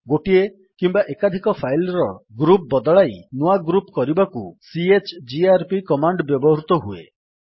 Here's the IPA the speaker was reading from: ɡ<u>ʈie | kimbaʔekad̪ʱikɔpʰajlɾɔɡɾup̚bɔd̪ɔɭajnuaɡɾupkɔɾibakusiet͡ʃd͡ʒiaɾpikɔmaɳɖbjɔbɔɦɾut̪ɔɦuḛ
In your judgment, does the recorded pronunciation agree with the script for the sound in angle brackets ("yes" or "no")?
no